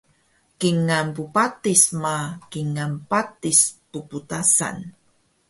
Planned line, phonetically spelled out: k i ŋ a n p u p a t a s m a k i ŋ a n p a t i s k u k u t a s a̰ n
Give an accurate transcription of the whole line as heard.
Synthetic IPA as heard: k i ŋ a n p u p a t i s m a k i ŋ a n p a t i s p u p u t a s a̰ n